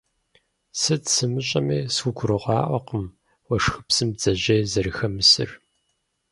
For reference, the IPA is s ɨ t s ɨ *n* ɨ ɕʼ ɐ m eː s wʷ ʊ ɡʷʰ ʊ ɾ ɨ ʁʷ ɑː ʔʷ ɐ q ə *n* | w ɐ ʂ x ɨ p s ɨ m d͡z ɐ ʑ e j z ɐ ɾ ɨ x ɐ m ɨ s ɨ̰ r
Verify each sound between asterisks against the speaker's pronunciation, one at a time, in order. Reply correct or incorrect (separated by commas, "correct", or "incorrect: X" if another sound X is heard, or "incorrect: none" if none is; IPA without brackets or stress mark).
incorrect: m, incorrect: m